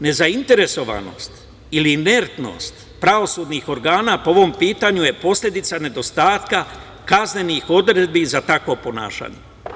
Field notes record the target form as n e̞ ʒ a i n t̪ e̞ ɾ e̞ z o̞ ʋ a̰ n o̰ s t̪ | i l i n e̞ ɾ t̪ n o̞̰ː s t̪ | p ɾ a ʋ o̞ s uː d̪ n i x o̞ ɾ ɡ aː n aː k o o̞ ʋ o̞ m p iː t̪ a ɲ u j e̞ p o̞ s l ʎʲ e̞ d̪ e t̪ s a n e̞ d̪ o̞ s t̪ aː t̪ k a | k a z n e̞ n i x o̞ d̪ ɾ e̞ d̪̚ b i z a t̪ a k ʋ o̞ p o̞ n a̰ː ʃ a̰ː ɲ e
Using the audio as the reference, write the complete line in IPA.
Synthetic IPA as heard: n e̞ z a i n t̪ e̞ ɾ e̞ s o̞ ʋ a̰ n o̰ s t̪ | i l i n e̞ ɾ t̪ n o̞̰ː s t̪ | p ɾ a ʋ o̞ s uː d̪ n i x o̞ ɾ ɡ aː n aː p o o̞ ʋ o̞ m p iː t̪ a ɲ u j e̞ p o̞ s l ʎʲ e̞ d̪ i t̪ s a n e̞ d̪ o̞ s t̪ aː t̪ k a | k a z n e̞ n i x o̞ d̪ ɾ e̞ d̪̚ b i z a t̪ a k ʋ o̞ p o̞ n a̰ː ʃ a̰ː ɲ e